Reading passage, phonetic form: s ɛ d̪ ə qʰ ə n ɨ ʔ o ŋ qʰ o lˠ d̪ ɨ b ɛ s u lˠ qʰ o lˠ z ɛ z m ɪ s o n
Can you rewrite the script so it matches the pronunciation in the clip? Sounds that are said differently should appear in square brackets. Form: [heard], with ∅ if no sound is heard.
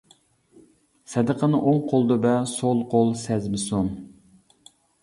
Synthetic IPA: s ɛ d̪ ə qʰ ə n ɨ ʔ o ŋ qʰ o lˠ d̪ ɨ b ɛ s [o] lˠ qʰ o lˠ [s] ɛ z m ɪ s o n